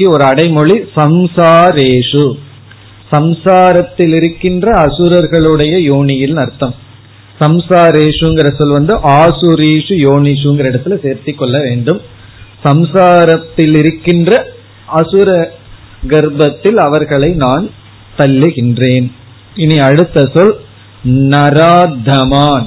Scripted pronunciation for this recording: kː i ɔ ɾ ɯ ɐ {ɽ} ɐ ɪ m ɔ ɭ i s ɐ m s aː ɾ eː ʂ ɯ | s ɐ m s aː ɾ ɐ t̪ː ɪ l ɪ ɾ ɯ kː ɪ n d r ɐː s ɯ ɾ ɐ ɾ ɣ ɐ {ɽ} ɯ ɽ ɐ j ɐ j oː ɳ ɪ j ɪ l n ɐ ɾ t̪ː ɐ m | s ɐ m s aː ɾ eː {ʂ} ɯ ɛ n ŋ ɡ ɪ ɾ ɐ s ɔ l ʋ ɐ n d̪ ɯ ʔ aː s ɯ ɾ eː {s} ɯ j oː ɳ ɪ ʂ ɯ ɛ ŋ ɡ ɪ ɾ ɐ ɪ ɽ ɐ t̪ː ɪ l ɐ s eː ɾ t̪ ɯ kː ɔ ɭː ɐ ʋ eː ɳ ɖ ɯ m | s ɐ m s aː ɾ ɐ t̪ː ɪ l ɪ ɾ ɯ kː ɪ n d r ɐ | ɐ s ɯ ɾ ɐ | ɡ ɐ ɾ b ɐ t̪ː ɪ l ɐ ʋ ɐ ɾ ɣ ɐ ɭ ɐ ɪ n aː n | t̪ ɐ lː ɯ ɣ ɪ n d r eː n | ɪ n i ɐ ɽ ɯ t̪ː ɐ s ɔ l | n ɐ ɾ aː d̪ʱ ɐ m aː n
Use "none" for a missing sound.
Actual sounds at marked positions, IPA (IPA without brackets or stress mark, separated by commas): ɽ, ɭ, ʂ, ʂ